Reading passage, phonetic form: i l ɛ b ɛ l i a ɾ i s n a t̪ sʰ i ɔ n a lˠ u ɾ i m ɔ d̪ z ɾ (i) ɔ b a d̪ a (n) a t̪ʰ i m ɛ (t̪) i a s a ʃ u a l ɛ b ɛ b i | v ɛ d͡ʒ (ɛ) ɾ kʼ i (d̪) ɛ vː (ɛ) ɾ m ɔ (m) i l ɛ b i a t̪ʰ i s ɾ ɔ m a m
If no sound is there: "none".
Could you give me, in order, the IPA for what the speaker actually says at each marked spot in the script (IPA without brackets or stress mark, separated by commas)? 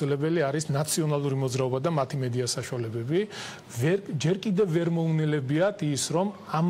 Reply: a, m, d̪, ɛ, d̪, ɛ, n